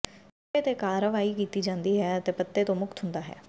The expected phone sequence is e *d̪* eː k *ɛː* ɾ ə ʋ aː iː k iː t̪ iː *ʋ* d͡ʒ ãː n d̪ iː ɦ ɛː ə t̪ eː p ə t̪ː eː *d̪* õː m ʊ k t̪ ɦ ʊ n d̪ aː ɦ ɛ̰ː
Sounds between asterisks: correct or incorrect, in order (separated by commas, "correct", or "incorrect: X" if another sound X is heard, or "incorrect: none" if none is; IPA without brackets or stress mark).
incorrect: t̪, incorrect: aː, incorrect: none, incorrect: t̪